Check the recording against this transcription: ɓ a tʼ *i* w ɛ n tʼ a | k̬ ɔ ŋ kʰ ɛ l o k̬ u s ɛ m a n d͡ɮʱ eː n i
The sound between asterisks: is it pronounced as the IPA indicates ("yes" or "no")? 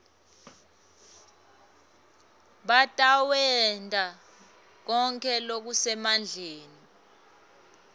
no